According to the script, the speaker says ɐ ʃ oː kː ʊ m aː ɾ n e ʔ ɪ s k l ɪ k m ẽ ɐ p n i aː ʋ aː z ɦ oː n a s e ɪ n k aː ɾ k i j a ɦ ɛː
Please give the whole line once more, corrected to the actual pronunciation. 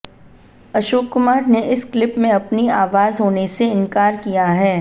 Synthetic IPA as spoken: ɐ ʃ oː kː ʊ m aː ɾ n e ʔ ɪ s k l ɪ p m ẽ ɐ p n i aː ʋ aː z ɦ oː n e s e ɪ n k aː ɾ k i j a ɦ ɛː

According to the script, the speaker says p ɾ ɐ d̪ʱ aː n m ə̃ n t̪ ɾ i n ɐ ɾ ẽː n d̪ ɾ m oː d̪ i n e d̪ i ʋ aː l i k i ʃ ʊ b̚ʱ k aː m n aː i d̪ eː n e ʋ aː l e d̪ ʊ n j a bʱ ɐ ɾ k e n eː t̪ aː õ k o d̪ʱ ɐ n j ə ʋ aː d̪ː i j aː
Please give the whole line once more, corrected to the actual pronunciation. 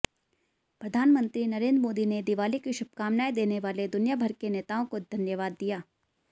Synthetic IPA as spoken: p ɾ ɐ d̪ʱ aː n m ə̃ n t̪ ɾ i n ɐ ɾ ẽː n d̪ ɾ m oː d̪ i n e d̪ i ʋ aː l i k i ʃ ʊ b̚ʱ k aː m n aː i d̪ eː n e ʋ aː l e d̪ ʊ n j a bʱ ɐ ɾ k e n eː t̪ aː õ k o d̪ʱ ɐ n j ə ʋ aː d̪ː i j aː

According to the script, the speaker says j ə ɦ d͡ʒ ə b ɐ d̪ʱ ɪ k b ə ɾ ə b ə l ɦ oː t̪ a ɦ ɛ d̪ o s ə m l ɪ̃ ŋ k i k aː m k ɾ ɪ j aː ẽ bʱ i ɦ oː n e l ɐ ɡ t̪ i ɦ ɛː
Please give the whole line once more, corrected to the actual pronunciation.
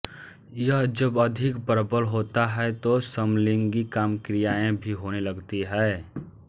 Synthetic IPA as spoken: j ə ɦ d͡ʒ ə b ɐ d̪ʱ ɪ k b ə ɾ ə b ə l ɦ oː t̪ a ɦ ɛ t̪ o s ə m l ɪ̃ ŋ ɡ i k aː m k ɾ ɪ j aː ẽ bʱ i ɦ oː n e l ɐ ɡ t̪ i ɦ ɛː

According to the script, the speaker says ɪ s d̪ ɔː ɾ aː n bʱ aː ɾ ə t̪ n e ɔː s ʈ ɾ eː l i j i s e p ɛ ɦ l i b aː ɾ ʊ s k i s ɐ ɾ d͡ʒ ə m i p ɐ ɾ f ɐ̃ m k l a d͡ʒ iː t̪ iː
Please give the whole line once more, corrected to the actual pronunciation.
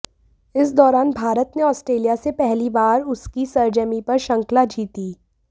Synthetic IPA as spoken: ɪ s d̪ ɔː ɾ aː n bʱ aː ɾ ə t̪ n e ɔː s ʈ ɾ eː l i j a s e p ɛ ɦ l i b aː ɾ ʊ s k i s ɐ ɾ d͡ʒ ə m i p ɐ ɾ ʃ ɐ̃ ŋ k l a d͡ʒ iː t̪ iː

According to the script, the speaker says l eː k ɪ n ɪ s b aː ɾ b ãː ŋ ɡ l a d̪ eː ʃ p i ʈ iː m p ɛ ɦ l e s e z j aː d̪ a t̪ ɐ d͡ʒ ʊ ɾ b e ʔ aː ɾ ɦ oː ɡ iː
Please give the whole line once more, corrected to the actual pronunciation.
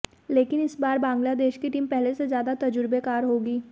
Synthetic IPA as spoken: l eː k ɪ n ɪ s b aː ɾ b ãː ŋ ɡ l a d̪ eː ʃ k i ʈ iː m p ɛ ɦ l e s e z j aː d̪ a t̪ ɐ d͡ʒ ʊ ɾ b e k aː ɾ ɦ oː ɡ iː

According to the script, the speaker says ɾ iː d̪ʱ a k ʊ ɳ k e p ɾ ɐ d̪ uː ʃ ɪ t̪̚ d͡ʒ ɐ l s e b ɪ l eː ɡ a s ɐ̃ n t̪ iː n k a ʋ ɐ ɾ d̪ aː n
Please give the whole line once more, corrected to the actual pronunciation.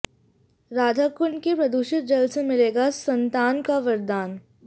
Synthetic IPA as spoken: ɾ aː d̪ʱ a k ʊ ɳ k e p ɾ ɐ d̪ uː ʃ ɪ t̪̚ d͡ʒ ɐ l s e m ɪ l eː ɡ a s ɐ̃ n t̪ aː n k a ʋ ɐ ɾ d̪ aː n

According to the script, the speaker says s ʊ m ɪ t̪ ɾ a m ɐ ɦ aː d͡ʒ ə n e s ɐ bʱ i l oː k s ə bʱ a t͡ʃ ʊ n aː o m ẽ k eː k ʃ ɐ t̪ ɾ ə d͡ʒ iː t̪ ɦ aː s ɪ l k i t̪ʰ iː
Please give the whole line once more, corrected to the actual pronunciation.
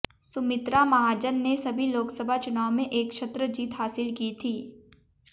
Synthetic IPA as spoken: s ʊ m ɪ t̪ ɾ a m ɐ ɦ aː d͡ʒ ə nː e s ɐ bʱ i l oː k s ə bʱ a t͡ʃ ʊ n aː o m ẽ ʔ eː k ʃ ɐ t̪ ɾ ə d͡ʒ iː t̪ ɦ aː s ɪ l k i t̪ʰ iː

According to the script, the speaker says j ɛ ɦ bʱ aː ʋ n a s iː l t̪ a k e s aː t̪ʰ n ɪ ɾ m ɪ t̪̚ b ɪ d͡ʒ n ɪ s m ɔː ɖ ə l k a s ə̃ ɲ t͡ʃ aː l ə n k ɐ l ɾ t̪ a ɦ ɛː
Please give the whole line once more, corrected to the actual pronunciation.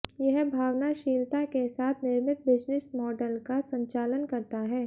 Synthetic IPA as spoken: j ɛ ɦ bʱ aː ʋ n a ʃ iː l t̪ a k e s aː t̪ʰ n ɪ ɾ m ɪ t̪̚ b ɪ d͡ʒ n ɪ s m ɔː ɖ ə l k a s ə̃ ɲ t͡ʃ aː l ə n k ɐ ɾ t̪ a ɦ ɛː

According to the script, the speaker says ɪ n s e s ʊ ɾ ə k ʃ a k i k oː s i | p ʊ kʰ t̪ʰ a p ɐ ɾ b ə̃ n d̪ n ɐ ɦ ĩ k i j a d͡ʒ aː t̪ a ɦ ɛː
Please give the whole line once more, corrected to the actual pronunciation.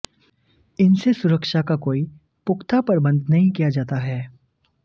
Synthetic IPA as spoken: ɪ n s e s ʊ ɾ ə k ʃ a k a k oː i | p ʊ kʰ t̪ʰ a p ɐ ɾ b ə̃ n d̪ n ɐ ɦ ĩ k i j a d͡ʒ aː t̪ a ɦ ɛː

